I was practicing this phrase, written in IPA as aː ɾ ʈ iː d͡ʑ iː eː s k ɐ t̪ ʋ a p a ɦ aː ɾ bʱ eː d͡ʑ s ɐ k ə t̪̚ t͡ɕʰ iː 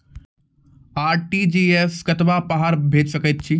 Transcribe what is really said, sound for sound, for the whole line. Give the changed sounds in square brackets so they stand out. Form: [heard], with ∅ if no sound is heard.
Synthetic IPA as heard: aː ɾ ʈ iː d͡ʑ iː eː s k ɐ t̪ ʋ a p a ɦ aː ɾ bʱ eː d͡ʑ s ɐ k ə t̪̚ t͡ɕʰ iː